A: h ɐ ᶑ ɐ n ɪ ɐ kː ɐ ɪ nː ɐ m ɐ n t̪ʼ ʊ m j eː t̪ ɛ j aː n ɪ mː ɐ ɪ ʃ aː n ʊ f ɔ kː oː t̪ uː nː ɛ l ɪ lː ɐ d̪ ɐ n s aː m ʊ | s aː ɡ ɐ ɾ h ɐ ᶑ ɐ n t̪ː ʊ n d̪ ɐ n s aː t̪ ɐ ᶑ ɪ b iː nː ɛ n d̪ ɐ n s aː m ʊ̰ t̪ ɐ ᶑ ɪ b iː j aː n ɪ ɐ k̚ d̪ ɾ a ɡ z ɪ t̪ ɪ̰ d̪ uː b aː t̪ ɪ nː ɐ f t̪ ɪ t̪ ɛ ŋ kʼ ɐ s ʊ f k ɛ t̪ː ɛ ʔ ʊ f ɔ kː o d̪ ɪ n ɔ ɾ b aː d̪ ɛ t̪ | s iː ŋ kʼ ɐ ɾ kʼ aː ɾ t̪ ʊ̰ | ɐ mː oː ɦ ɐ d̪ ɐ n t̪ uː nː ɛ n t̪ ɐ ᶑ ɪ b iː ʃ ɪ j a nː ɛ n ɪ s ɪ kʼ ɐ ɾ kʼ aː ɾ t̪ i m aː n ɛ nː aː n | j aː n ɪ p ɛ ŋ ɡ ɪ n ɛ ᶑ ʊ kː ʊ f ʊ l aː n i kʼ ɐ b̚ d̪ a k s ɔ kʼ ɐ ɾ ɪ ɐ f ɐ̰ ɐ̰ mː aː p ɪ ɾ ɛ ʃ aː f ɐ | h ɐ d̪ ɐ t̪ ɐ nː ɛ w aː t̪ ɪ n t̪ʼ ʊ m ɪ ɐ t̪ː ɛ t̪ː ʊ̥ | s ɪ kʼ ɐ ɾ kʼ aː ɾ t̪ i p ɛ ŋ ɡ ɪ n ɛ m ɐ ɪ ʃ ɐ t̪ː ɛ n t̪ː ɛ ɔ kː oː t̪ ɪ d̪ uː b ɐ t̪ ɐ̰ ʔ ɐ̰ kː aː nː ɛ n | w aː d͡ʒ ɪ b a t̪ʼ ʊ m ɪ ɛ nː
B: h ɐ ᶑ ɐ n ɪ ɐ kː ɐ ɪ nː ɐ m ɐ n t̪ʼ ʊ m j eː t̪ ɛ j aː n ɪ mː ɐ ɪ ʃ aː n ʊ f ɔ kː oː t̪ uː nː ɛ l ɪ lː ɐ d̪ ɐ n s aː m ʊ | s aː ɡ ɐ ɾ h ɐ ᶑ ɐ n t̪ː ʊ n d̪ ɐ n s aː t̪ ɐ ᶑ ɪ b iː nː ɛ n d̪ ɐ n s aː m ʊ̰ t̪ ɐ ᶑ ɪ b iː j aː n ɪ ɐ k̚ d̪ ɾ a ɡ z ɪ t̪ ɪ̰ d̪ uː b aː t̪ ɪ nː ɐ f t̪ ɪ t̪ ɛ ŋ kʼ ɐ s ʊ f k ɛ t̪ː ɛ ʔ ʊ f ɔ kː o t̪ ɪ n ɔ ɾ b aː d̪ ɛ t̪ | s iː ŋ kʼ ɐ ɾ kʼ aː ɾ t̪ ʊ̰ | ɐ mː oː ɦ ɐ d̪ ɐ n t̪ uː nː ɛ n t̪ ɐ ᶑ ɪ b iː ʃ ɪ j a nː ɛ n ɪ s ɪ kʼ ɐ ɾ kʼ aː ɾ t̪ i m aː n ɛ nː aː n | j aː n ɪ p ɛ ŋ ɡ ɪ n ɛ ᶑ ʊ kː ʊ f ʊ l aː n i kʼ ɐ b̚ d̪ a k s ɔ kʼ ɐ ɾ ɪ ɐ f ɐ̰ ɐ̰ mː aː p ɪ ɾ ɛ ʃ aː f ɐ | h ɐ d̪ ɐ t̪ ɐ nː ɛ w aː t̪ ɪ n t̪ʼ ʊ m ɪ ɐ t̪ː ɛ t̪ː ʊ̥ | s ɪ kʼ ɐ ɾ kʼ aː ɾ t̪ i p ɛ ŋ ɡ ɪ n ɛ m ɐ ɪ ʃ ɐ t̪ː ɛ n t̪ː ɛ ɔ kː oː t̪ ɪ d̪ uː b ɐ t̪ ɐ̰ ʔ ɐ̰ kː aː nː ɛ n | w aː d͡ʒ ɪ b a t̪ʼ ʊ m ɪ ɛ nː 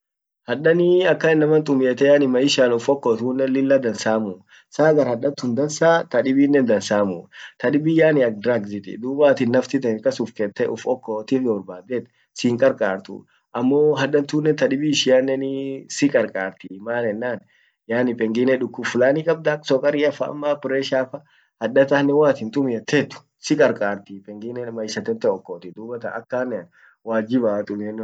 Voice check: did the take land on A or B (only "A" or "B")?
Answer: B